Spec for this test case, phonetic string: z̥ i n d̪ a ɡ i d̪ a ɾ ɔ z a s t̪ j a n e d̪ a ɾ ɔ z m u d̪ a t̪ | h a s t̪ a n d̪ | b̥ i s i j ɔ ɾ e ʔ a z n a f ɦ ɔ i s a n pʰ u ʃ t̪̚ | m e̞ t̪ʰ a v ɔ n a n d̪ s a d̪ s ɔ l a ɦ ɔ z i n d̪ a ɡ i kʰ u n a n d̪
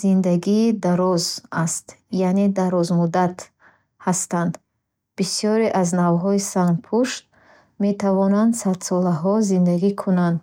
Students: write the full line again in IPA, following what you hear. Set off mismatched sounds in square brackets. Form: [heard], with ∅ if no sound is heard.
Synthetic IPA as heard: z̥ i n d̪ a ɡ i d̪ a ɾ ɔ z a s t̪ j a n e d̪ a ɾ ɔ z m u d̪ a t̪ | h a s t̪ a n d̪ | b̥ i s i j ɔ ɾ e ʔ a z n a [v] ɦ ɔ i s a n pʰ u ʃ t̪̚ | m e̞ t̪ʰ a v ɔ n a n d̪ s a d̪ s ɔ l a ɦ ɔ z i n d̪ a ɡ i kʰ u n a n d̪